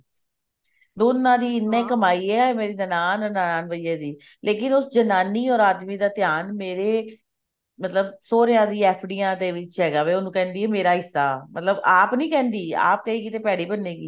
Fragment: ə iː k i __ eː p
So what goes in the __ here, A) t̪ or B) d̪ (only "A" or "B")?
A